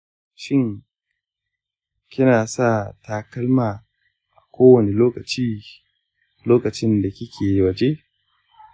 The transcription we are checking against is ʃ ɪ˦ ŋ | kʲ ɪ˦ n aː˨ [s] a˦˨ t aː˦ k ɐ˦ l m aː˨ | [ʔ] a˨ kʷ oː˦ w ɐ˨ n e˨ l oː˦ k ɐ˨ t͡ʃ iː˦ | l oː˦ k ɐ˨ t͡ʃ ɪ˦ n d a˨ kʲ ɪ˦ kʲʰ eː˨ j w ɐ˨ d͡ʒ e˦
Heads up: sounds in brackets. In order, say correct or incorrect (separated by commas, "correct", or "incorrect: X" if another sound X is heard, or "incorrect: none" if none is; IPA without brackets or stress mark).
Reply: correct, correct